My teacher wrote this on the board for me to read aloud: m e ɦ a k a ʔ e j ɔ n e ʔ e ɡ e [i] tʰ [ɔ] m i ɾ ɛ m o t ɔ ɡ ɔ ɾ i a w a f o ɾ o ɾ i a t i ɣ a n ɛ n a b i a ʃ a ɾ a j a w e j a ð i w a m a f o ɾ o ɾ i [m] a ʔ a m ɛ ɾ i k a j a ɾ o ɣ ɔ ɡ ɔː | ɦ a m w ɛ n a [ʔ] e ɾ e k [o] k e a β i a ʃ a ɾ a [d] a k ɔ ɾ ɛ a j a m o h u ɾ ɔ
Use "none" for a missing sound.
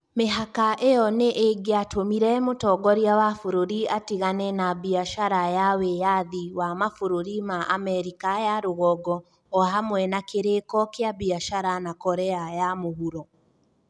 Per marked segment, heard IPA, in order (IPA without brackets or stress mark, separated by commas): a, o, m, k, ɔ, n